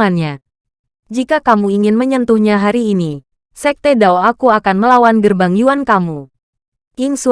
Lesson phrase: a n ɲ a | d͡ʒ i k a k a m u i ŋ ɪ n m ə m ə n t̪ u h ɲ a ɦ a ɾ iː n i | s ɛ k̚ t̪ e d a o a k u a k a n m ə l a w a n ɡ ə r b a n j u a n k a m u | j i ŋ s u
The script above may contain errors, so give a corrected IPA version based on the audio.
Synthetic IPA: a n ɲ a | d͡ʒ i k a k a m u i ŋ ɪ n m ə ɲ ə n t̪ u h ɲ a ɦ a ɾ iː n i | s ɛ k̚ t̪ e d a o a k u a k a n m ə l a w a n ɡ ə r b a ŋ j u a n k a m u | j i ŋ s u